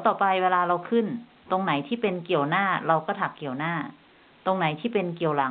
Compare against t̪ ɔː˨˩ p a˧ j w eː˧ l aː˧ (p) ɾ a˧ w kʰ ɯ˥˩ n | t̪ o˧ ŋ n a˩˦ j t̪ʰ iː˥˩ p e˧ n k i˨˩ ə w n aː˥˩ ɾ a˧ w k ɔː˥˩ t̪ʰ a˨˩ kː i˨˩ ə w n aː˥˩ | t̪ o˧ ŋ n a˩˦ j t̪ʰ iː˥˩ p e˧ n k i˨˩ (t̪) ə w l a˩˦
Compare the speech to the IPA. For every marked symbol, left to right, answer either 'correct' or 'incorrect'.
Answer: incorrect, incorrect

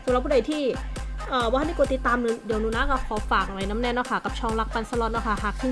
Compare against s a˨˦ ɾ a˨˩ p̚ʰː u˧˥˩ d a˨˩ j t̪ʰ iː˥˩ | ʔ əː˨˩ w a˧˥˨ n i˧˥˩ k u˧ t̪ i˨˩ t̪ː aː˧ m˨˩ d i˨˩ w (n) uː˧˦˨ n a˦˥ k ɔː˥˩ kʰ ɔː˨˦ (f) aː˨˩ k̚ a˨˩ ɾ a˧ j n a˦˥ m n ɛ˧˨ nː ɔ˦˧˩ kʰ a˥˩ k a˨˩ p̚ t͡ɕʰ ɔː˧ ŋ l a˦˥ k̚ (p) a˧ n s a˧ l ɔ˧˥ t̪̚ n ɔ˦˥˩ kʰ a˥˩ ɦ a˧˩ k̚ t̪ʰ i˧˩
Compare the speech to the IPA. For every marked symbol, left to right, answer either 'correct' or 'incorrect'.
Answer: correct, correct, correct

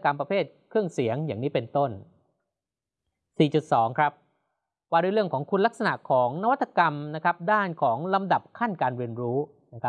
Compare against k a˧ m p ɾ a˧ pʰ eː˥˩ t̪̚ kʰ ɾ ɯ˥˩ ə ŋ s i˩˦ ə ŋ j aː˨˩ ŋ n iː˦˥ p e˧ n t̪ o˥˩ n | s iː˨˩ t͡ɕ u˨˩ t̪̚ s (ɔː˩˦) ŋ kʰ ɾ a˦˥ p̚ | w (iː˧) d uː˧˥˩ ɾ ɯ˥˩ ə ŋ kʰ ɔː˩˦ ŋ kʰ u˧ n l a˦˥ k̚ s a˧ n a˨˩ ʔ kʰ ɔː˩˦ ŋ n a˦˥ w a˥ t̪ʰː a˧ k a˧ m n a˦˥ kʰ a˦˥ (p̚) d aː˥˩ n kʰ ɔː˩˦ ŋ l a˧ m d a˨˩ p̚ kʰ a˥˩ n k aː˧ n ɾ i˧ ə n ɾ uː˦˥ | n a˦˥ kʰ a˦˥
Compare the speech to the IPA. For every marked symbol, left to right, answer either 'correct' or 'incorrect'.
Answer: correct, incorrect, correct

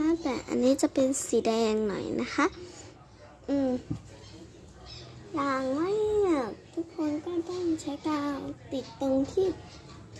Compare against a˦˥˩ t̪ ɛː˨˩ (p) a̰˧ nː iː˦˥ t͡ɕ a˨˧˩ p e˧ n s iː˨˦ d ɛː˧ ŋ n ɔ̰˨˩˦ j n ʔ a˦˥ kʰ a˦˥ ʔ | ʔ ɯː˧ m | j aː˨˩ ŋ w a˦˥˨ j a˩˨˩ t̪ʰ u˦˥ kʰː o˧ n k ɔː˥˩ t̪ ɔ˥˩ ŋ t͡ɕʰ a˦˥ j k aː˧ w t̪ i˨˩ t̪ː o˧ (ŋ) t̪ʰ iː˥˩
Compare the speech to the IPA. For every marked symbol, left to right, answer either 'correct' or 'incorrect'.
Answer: incorrect, correct

